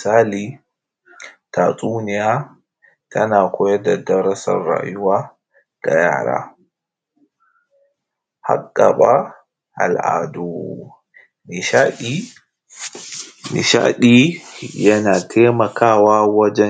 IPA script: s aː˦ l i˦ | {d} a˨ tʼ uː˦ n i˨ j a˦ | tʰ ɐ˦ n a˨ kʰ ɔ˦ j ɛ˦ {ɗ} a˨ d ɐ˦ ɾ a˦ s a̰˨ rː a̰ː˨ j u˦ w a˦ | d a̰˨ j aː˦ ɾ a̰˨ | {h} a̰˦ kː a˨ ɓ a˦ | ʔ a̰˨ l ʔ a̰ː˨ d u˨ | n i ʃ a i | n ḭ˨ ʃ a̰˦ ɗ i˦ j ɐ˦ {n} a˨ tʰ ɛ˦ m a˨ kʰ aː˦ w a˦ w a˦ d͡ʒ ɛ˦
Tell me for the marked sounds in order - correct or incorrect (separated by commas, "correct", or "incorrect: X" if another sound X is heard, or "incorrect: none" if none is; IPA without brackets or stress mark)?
incorrect: t, incorrect: d, correct, correct